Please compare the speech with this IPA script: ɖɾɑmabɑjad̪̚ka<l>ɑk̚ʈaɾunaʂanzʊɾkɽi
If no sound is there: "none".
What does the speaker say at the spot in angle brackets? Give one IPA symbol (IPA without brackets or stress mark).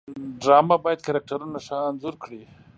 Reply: ɾ